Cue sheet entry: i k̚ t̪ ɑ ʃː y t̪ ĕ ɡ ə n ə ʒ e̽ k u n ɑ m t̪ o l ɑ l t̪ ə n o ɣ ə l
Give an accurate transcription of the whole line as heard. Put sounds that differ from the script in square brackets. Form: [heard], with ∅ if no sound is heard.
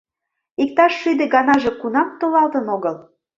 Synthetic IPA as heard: i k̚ t̪ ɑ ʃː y [d̪] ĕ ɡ [ɑ] n [ɑ] ʒ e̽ k u n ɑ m t̪ o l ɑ l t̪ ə n o ɣ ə l